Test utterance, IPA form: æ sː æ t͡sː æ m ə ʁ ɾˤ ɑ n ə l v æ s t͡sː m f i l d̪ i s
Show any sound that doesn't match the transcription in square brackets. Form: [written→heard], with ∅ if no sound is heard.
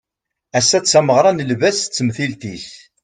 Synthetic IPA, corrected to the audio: æ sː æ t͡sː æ m ə ʁ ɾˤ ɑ n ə l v æ s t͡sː m [f→θ] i l [d̪→t̪] i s